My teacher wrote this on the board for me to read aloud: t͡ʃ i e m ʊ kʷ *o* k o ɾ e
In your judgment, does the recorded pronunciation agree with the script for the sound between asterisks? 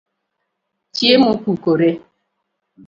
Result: no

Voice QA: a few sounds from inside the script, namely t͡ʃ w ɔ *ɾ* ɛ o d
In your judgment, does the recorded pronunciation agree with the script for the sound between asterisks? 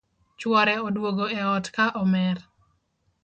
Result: yes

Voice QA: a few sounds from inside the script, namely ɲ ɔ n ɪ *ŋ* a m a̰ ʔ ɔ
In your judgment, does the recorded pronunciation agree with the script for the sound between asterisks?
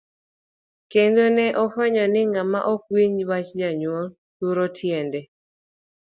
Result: yes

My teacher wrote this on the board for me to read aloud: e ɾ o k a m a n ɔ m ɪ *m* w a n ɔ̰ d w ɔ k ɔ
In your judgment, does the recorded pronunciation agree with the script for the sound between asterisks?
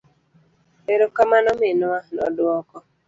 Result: no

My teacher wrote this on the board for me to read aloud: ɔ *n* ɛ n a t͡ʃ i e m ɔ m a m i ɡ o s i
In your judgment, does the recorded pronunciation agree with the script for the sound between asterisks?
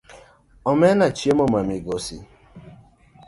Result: no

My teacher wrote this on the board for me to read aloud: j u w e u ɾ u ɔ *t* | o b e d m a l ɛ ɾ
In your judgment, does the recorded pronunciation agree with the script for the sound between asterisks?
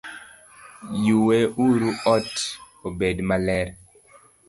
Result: yes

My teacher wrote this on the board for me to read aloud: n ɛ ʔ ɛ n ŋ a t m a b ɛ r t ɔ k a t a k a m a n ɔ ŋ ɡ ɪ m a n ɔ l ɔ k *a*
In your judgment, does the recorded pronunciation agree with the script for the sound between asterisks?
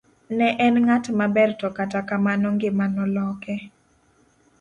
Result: no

